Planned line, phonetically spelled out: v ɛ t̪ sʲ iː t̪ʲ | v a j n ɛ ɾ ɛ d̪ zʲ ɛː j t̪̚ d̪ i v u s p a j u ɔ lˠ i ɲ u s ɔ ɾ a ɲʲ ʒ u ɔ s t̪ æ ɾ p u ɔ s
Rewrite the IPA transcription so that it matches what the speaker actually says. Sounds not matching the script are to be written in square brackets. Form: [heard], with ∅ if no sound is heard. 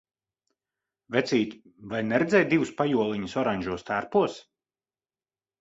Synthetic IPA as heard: v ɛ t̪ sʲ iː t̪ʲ | v a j n ɛ ɾ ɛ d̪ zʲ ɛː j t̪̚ d̪ i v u s p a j u ɔ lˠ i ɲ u s ɔ ɾ a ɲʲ ʒ u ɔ s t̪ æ ɾ p u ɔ s